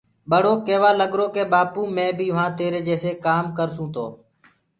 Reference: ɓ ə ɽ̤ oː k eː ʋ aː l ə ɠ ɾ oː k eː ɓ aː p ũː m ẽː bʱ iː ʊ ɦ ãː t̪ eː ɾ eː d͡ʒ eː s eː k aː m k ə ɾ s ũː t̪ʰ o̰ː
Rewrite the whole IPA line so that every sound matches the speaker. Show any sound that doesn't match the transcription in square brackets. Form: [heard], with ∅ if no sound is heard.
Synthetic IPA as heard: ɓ ə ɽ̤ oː k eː ʋ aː l ə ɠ ɾ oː k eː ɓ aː p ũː m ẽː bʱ iː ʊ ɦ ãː t̪ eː ɾ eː d͡ʒ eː s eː k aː m k ə ɾ s ũː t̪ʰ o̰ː